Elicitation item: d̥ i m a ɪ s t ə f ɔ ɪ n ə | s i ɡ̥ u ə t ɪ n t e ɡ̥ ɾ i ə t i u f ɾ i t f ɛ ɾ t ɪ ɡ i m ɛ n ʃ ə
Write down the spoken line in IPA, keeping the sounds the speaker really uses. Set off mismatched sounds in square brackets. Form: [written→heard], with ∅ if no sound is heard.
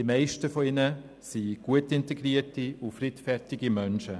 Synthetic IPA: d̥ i m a ɪ [s→ʃ] t ə f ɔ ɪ n ə | s i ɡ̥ u ə t ɪ n t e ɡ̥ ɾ i ə t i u f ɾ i t f ɛ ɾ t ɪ ɡ i m [ɛ→œ] n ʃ ə